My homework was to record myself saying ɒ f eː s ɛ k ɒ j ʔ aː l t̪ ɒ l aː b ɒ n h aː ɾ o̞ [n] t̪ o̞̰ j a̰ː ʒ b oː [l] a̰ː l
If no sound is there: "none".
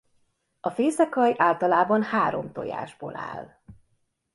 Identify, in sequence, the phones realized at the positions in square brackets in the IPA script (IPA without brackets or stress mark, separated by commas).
m, l